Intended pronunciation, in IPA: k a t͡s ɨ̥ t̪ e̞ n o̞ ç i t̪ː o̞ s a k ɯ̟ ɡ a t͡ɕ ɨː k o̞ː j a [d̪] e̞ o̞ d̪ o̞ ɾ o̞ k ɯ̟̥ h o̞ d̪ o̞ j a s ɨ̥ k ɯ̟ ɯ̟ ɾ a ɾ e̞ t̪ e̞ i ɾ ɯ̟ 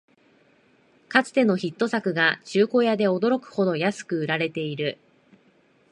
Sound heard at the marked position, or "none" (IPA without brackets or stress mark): d̪